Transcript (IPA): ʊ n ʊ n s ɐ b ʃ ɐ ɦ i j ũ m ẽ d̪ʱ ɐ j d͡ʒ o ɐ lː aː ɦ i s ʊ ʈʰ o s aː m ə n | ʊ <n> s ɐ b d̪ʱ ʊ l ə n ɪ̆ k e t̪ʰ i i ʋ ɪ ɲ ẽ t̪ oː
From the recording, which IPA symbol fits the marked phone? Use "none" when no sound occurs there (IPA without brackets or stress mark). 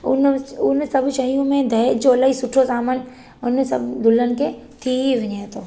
n